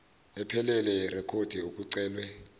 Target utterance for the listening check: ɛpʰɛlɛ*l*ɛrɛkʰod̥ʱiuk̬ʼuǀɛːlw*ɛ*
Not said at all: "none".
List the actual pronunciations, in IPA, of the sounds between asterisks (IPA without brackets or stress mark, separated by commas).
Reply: l, ɛ